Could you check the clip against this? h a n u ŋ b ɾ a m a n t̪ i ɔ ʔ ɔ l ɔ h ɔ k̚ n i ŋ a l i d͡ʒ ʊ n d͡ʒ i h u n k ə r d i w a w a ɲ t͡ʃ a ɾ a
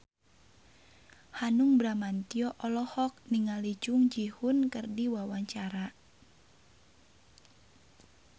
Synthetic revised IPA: h a n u ŋ b ɾ a m a n t̪ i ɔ ʔ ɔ l ɔ h ɔ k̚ n i ŋ a l i d͡ʒ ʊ ŋ d͡ʒ i h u n k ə r d i w a w a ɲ t͡ʃ a ɾ a